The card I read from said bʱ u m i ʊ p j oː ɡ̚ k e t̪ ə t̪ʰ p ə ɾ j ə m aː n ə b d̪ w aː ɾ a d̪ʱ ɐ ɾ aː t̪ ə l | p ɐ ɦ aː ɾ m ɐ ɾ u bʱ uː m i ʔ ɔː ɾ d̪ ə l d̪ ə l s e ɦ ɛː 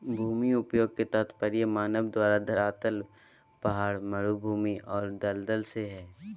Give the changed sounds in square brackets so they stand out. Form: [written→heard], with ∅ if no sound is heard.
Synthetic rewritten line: bʱ [u→uː] m i ʊ p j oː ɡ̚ k e t̪ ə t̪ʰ p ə ɾ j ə m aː n ə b d̪ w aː ɾ a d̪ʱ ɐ ɾ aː t̪ ə l | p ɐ ɦ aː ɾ m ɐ ɾ u bʱ uː m i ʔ ɔː ɾ d̪ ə l d̪ ə l s e ɦ ɛː